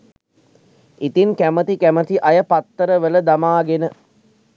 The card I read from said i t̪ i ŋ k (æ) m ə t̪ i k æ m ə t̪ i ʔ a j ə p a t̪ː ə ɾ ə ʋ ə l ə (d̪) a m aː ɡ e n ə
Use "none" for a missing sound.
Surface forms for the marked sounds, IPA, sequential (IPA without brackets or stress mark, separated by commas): æ, d̪